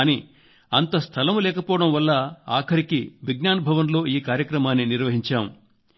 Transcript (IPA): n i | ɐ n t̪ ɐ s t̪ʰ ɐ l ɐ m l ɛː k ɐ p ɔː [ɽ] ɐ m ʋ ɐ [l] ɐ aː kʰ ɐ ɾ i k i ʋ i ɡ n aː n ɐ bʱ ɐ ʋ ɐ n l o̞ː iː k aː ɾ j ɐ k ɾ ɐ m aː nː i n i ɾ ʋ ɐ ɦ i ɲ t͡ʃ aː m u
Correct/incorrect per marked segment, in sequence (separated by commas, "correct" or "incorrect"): correct, incorrect